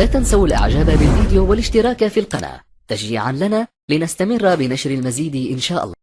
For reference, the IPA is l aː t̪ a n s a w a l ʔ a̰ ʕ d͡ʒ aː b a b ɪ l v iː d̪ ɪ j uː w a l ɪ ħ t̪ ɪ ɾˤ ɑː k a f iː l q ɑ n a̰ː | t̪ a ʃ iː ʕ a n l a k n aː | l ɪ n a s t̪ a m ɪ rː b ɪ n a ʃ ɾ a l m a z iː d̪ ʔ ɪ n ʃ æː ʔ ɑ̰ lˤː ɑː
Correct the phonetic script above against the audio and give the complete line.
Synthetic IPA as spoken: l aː t̪ a n s a w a l ʔ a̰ ʕ d͡ʒ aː b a b ɪ l v iː d̪ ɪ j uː w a l ɪ ʃ t̪ ɪ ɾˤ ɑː k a f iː l q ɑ n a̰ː | t̪ a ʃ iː ʕ a n l a n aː | l ɪ n a s t̪ a m ɪ rː b ɪ n a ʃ ɾ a l m a z iː d̪ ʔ ɪ n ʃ aː ʔ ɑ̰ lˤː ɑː